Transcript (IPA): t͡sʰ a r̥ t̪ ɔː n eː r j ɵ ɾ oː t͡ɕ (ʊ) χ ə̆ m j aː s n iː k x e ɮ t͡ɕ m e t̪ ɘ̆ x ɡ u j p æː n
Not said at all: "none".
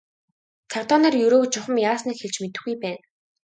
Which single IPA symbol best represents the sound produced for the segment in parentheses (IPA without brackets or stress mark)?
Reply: ʊ